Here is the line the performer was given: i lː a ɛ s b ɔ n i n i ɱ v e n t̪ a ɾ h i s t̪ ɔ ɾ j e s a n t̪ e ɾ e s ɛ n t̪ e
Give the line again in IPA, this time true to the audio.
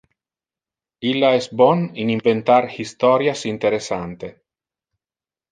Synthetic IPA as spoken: i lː a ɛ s b ɔ n i n i ɱ v e n t̪ a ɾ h i s t̪ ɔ ɾ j a s i n t̪ e ɾ e s a n t̪ e